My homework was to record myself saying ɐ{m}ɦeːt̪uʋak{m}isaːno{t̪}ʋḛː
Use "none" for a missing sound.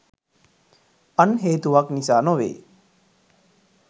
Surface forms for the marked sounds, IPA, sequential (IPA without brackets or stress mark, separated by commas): n, n, none